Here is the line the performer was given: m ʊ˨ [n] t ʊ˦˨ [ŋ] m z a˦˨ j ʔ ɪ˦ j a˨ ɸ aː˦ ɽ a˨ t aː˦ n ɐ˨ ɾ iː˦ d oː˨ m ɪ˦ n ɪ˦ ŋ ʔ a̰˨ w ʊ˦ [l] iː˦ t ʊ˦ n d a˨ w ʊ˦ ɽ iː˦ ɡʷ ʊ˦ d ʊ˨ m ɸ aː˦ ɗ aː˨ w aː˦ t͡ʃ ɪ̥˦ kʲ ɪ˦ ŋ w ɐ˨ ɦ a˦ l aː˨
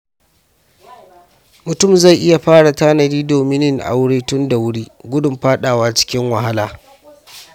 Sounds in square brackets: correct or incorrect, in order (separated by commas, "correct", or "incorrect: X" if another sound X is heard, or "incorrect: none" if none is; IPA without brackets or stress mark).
incorrect: none, incorrect: none, incorrect: ɽ